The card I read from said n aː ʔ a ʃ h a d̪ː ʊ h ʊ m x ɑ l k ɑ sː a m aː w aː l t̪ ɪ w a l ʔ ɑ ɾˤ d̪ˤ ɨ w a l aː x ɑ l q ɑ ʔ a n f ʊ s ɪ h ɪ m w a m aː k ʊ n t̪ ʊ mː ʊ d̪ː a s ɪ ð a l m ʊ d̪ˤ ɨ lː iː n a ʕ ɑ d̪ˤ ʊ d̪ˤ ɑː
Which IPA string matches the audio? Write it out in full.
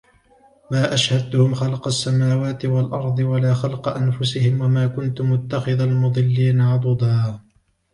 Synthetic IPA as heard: m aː ʔ a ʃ h a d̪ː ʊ h ʊ m x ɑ l q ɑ sː a m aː w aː t̪ ɪ w a l ʔ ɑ ɾˤ d̪ˤ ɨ w a l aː x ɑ l q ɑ ʔ a n f ʊ s ɪ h ɪ m w a m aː k ʊ n t̪ ʊ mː ʊ t̪ː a x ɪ ð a l m ʊ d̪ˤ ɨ lː iː n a ʕ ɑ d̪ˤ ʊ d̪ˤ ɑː